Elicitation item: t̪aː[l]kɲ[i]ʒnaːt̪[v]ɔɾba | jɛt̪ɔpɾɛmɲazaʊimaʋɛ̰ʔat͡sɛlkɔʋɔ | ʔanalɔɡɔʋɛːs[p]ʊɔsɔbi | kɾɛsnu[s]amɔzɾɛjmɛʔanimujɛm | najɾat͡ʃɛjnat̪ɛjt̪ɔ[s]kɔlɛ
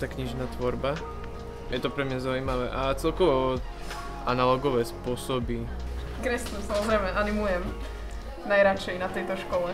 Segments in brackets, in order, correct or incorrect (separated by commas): incorrect, correct, incorrect, correct, correct, incorrect